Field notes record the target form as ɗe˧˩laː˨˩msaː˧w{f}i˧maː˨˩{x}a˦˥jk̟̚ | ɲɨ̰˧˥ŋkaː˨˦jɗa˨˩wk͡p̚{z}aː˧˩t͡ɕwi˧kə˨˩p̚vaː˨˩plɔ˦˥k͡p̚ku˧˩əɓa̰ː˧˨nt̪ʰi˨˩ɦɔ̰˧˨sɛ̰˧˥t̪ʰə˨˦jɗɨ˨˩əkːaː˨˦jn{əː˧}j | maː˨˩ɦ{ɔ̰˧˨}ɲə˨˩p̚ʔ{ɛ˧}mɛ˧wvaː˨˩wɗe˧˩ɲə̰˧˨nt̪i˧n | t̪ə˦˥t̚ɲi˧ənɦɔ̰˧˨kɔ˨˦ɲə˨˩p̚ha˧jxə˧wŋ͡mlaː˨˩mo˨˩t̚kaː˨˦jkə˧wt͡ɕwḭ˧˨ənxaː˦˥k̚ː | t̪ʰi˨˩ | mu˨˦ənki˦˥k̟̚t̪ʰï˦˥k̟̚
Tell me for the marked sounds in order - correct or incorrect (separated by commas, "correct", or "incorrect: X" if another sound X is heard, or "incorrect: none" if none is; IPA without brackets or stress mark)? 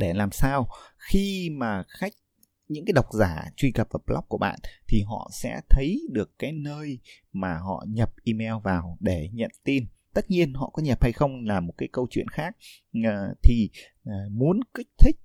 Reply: incorrect: x, correct, correct, correct, correct, incorrect: i˧